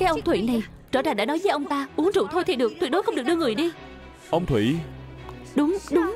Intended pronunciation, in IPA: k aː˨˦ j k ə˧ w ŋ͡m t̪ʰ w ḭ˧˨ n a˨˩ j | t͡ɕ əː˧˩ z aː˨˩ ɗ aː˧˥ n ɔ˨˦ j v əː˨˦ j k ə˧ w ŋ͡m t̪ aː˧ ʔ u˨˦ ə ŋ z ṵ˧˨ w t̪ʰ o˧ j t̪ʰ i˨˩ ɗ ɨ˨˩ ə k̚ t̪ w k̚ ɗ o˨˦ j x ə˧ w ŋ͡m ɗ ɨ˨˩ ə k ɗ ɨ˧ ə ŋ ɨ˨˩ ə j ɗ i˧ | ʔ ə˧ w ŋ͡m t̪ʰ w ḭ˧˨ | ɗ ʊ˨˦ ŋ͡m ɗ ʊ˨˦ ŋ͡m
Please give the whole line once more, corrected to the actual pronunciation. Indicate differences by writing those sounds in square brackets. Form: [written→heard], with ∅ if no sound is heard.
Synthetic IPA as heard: k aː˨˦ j [k→ʔ] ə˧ w ŋ͡m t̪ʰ w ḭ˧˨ n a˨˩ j | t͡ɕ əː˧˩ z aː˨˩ ɗ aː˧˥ n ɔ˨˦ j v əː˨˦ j [k→ʔ] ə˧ w ŋ͡m t̪ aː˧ ʔ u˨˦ ə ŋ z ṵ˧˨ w t̪ʰ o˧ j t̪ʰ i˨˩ ɗ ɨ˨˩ ə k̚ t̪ w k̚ ɗ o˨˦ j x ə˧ w ŋ͡m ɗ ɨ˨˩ ə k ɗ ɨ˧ ə ŋ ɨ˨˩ ə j ɗ i˧ | ʔ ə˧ w ŋ͡m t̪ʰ w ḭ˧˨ | ɗ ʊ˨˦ ŋ͡m ɗ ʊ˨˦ ŋ͡m